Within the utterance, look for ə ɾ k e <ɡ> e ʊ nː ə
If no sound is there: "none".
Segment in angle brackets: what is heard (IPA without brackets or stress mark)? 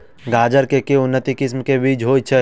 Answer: k